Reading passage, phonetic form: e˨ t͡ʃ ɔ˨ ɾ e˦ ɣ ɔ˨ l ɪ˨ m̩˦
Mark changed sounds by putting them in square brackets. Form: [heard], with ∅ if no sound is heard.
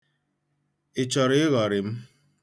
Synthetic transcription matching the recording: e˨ t͡ʃ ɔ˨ ɾ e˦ ɣ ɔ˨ [ɾ] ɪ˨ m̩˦

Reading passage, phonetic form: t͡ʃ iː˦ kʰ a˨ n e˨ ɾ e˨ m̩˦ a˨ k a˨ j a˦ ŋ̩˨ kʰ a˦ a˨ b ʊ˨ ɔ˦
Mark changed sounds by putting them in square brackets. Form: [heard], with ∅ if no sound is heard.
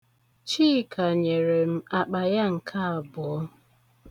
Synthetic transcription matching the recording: t͡ʃ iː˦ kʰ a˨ [ɲ] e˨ ɾ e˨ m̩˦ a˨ [k͡p] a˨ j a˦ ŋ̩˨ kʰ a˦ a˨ b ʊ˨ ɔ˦

